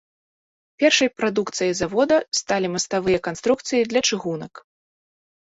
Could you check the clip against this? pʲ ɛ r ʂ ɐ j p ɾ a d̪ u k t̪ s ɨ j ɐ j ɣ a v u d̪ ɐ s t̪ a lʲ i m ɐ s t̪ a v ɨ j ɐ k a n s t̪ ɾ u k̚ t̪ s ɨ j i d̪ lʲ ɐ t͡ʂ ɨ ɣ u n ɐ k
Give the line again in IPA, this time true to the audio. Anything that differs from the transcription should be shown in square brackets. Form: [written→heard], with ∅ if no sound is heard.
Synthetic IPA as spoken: pʲ ɛ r ʂ ɐ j p ɾ a d̪ u k t̪ s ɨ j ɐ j [ɣ→z] a v [u→ɔ] d̪ ɐ s t̪ a lʲ i m ɐ s t̪ a v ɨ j ɐ k a n s t̪ ɾ u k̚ t̪ s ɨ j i d̪ lʲ ɐ t͡ʂ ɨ ɣ u n ɐ k